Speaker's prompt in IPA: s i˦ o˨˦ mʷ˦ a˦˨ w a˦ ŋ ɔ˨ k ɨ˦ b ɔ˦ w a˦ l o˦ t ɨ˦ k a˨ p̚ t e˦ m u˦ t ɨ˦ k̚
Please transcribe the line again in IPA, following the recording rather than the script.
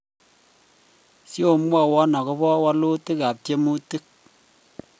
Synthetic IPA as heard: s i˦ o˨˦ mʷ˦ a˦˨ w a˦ n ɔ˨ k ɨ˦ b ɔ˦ w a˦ l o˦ t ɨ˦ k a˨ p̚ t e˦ m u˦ t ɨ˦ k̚